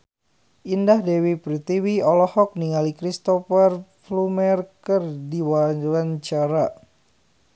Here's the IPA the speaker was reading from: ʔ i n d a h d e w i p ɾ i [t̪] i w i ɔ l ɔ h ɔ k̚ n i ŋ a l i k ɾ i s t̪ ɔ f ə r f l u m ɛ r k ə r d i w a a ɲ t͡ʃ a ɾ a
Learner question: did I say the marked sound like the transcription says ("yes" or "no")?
yes